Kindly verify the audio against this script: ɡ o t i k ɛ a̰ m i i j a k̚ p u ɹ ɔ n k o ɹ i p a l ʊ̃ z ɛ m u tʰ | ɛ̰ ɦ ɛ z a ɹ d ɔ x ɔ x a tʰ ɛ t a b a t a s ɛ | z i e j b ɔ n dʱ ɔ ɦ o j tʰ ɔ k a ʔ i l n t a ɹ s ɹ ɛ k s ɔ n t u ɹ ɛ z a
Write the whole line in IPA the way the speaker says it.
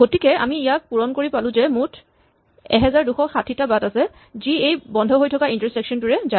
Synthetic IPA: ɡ o t i k ɛ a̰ m i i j a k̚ p u ɹ ɔ n k o ɹ i p a l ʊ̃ z ɛ m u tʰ | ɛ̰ ɦ ɛ z a ɹ d u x ɔ x a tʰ i t a b a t a s ɛ | z i e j b ɔ n dʱ ɔ ɦ o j tʰ ɔ k a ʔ i n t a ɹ s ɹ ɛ k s ɔ n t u ɹ ɛ z a